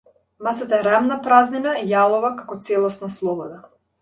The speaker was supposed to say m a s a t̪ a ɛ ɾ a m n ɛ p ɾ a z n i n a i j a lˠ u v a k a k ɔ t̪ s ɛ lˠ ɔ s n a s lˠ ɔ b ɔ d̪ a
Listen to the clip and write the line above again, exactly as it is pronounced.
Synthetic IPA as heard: m a s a t̪ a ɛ ɾ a m n a p ɾ a z n i n a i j a lˠ ɔ v a k a k ɔ t̪ s ɛ lˠ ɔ s n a s lˠ ɔ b ɔ d̪ a

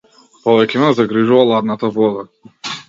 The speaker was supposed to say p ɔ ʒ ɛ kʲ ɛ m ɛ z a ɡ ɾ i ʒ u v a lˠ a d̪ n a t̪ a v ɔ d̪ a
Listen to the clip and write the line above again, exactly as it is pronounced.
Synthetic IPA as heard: p ɔ v ɛ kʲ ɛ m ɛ z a ɡ ɾ i ʒ u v a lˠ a d̪ n a t̪ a v ɔ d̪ a

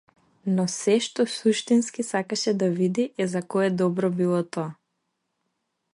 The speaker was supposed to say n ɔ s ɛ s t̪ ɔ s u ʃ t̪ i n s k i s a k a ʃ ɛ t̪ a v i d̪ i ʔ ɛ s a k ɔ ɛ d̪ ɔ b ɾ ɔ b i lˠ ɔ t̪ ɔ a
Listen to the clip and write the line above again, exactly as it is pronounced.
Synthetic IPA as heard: n ɔ s ɛ ʃ t̪ ɔ s u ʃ t̪ i n s k i s a k a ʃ ɛ d̪ a v i d̪ i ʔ ɛ z a k ɔ ɛ d̪ ɔ b ɾ ɔ b i lˠ ɔ t̪ ɔ a

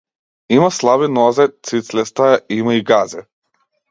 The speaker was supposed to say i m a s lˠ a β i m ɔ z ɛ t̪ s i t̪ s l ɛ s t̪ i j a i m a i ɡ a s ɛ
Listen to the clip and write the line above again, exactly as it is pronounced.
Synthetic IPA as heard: i m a s lˠ a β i n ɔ z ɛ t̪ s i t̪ s l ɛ s t̪ a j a i m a i ɡ a z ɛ

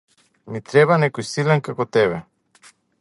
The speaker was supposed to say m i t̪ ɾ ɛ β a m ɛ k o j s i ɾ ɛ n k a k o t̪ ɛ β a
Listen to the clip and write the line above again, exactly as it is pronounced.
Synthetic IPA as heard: m i t̪ ɾ ɛ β a n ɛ k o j s i l ɛ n k a k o t̪ ɛ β ɛ

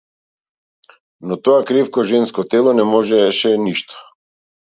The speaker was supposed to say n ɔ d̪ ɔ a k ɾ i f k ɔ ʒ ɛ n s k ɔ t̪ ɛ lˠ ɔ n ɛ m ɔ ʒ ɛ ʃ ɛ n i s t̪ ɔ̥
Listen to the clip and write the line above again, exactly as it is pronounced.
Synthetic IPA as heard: n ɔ t̪ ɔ a k ɾ i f k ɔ ʒ ɛ n s k ɔ t̪ ɛ lˠ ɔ n ɛ m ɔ ʒ ɛ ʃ ɛ n i ʃ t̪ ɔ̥

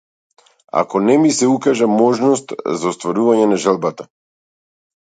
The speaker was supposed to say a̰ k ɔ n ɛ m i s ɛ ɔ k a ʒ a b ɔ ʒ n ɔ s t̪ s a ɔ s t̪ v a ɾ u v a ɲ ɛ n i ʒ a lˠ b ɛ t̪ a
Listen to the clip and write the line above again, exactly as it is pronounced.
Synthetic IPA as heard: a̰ k ɔ n ɛ m i s ɛ u k a ʒ a m ɔ ʒ n ɔ s t̪ z a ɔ s t̪ v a ɾ u v a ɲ ɛ n a ʒ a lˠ b a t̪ a

